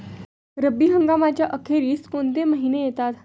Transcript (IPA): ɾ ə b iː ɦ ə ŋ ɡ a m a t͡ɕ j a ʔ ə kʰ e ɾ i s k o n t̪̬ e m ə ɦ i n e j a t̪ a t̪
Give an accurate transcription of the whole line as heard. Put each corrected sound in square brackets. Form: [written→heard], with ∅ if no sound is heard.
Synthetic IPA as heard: ɾ ə b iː ɦ ə ŋ ɡ a m a t͡ɕ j a ʔ ə kʰ e ɾ [i→iː] s k o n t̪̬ e m ə ɦ i n e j [a→e] t̪ a t̪